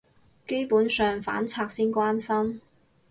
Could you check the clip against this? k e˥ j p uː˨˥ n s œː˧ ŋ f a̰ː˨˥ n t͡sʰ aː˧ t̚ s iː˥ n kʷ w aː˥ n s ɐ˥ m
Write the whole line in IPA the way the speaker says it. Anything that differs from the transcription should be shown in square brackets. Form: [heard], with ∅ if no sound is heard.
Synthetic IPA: k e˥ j p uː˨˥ n s œː˧ ŋ f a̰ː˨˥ n t͡sʰ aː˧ [k̚] s iː˥ n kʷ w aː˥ n s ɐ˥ m